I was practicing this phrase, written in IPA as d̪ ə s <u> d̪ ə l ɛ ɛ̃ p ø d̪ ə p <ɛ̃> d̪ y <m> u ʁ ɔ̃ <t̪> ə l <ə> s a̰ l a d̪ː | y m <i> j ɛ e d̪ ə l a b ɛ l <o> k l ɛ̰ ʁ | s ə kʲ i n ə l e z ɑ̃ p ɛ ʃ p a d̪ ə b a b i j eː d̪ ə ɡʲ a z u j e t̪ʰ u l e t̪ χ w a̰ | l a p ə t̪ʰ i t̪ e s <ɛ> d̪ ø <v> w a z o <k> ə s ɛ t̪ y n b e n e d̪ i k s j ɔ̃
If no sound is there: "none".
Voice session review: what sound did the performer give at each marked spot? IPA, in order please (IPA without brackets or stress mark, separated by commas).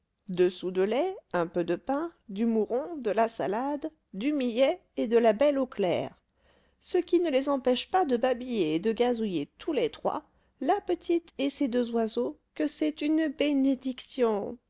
u, ɛ̃, m, d̪, a, i, o, e, z, k